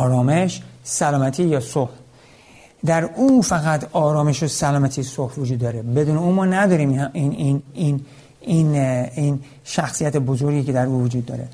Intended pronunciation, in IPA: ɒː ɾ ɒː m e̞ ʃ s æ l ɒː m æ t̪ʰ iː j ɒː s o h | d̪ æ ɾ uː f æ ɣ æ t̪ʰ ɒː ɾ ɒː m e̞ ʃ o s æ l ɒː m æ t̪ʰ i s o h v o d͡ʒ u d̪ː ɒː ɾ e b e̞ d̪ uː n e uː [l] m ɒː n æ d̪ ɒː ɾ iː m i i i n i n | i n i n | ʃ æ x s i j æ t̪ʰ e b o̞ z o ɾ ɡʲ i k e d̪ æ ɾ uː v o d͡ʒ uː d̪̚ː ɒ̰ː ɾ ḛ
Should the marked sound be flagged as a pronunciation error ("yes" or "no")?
yes